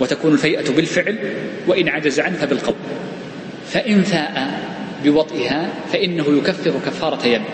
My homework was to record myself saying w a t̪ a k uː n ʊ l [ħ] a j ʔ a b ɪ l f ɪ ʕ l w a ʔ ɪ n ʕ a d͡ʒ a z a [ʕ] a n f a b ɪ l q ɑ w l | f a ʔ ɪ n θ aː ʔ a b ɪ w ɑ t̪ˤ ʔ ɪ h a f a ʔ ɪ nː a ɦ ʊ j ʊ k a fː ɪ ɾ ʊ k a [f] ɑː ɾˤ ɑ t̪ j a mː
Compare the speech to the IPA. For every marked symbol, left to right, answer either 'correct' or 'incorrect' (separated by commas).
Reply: incorrect, correct, incorrect